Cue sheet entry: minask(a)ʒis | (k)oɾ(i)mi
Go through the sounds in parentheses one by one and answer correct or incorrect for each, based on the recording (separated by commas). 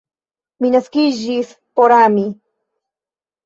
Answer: incorrect, incorrect, incorrect